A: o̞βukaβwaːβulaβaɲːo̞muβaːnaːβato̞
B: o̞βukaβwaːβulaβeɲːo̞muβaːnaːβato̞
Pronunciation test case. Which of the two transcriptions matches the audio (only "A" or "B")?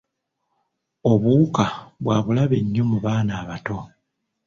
B